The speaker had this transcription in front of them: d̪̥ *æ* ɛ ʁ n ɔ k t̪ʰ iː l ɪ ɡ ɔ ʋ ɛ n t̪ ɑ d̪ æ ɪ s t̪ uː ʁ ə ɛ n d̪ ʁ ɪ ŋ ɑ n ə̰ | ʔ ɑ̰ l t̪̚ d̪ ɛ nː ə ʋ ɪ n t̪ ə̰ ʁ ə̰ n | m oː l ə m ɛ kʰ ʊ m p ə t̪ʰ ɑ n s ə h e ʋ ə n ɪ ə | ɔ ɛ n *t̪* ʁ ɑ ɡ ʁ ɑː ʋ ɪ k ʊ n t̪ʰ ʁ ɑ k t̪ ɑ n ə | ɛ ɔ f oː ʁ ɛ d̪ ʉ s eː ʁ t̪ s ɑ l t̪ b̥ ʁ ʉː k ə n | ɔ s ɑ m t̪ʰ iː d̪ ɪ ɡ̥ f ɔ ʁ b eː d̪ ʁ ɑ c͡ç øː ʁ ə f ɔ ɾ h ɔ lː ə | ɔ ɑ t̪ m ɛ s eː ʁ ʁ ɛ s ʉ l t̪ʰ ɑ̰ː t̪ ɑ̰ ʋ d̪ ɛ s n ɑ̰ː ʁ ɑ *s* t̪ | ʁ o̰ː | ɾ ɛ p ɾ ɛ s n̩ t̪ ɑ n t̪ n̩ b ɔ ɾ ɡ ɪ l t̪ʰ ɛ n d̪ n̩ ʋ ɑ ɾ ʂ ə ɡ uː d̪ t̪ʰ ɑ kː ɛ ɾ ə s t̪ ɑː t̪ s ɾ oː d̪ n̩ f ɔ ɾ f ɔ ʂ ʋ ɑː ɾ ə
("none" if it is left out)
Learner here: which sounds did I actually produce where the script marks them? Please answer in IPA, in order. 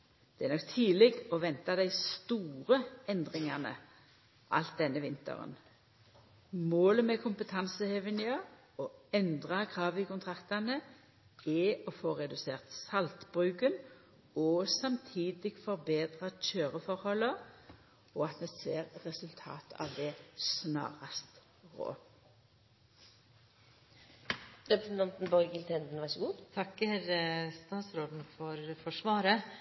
ɛ, d̪, s

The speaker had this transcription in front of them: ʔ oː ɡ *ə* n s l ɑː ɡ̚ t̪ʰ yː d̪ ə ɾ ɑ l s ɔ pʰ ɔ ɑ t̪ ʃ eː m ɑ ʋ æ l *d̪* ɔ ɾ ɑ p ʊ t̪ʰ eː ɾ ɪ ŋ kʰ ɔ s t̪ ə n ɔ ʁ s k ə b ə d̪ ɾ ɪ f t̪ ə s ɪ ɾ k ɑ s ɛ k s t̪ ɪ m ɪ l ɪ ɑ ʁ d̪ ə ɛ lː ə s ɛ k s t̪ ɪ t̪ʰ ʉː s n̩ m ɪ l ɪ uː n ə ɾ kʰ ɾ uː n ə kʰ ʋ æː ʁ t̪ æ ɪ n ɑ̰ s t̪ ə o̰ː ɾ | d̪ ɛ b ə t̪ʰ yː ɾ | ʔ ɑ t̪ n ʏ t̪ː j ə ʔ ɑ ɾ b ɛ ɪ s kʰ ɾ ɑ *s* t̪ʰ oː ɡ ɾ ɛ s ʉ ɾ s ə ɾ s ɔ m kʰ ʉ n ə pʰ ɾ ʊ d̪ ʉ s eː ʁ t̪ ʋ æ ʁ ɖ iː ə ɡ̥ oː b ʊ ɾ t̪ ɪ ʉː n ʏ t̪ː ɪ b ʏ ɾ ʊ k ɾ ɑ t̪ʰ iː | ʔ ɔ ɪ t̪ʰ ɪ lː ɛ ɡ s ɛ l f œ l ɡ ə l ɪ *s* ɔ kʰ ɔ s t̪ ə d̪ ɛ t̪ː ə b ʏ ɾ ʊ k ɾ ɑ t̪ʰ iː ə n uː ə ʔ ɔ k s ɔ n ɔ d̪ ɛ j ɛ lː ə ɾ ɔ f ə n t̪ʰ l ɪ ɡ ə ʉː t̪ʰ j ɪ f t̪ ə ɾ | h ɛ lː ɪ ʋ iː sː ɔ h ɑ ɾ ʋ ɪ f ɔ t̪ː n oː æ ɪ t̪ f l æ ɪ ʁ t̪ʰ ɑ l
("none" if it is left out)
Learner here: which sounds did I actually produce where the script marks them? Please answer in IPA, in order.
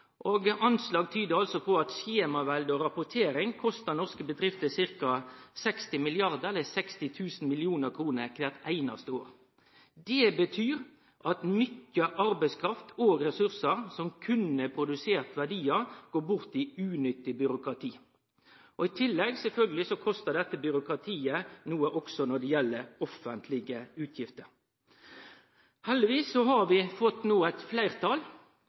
ɑ, d̪, f, s

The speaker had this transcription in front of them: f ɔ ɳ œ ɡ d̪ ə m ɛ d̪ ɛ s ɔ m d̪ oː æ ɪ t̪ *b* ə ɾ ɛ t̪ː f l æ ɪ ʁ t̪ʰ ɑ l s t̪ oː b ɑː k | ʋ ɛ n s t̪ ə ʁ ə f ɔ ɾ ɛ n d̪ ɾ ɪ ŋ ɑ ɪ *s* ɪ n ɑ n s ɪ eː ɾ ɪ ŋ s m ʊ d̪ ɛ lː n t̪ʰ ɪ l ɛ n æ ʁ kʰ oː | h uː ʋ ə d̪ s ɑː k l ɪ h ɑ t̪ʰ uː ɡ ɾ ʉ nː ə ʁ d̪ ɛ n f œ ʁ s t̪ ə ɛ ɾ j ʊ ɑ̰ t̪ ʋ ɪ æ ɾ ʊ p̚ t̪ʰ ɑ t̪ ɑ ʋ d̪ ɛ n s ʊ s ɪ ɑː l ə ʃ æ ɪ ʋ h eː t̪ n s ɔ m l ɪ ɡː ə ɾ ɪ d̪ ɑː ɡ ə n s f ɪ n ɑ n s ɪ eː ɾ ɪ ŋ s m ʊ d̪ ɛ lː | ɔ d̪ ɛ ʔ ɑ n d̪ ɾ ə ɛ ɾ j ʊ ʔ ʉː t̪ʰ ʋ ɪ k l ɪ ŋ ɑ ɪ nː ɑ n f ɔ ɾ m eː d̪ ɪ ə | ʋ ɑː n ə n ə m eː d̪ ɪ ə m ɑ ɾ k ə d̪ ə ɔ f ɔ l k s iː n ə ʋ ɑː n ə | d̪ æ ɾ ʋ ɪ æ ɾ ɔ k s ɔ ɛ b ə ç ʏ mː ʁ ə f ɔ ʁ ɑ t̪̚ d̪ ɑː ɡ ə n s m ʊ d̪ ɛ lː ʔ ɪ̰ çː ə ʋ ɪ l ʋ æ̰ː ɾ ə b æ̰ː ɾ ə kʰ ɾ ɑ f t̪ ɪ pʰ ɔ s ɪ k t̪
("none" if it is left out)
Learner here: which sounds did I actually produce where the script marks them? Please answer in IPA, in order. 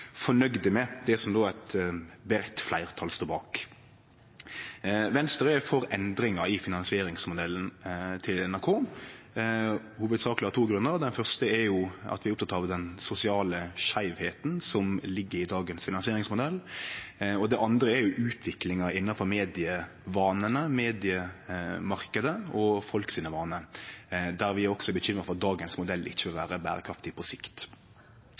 b, f

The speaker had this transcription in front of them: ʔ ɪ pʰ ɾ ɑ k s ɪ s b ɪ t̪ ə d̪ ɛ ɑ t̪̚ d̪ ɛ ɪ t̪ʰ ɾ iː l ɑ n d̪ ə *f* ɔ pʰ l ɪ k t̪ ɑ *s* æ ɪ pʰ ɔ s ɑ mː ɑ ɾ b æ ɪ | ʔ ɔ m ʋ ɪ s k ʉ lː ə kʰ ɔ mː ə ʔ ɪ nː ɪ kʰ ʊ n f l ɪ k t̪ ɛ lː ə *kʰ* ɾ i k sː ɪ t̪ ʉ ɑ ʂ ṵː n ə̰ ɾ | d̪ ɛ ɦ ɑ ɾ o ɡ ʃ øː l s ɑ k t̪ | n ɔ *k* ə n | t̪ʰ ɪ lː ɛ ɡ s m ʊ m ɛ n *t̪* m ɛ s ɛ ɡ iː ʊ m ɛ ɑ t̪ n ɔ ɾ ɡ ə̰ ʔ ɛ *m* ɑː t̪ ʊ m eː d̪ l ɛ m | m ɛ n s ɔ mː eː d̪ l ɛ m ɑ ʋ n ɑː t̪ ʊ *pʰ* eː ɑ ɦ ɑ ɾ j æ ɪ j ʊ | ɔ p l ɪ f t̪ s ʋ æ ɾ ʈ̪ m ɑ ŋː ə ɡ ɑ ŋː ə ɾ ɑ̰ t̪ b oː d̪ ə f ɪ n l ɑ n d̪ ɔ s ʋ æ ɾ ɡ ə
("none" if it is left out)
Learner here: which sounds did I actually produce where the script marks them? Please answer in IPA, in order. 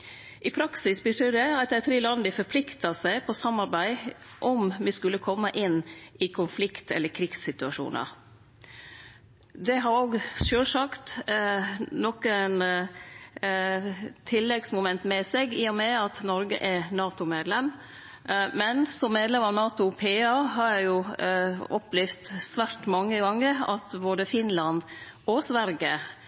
f, s, kʰ, k, t̪, n, pʰ

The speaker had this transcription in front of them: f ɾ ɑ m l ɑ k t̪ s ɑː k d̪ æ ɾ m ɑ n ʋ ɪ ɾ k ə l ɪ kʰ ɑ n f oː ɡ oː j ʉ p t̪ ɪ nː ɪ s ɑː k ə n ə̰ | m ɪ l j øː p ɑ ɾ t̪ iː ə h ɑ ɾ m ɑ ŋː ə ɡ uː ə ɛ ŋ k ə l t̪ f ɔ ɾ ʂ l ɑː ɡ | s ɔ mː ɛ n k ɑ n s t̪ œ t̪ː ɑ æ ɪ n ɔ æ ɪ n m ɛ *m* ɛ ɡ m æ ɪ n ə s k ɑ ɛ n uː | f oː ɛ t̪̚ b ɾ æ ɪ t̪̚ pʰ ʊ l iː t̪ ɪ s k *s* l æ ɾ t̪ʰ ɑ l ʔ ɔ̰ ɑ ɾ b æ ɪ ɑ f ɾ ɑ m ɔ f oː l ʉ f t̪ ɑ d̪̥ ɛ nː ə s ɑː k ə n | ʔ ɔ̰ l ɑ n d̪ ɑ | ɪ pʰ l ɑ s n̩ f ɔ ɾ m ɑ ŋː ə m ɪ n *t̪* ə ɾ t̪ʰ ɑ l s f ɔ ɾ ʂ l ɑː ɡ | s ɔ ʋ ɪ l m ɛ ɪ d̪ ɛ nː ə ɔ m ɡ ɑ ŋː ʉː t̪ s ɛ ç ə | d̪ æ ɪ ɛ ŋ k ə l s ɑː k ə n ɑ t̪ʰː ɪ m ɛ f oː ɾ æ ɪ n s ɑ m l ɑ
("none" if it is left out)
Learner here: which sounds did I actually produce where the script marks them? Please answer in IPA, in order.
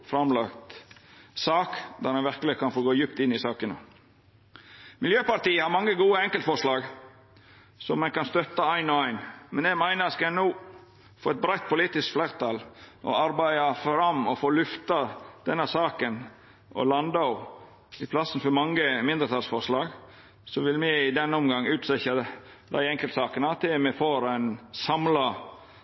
n, f, d̪

